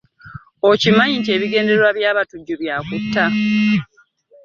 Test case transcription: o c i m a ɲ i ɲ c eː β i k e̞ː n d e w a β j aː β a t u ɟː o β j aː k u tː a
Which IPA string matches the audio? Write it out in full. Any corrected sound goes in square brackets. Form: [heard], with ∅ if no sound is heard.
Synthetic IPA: o c i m a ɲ i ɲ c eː β i [ɡ] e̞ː n d e w a β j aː β a t u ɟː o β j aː k u tː a